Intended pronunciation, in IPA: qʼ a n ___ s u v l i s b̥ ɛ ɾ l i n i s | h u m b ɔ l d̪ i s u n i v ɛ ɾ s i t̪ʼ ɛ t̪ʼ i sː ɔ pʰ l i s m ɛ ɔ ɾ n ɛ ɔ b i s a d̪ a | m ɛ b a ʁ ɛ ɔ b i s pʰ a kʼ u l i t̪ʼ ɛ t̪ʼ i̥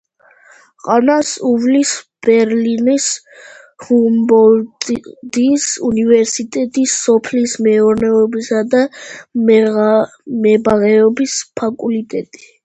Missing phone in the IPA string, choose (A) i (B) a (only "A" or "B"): B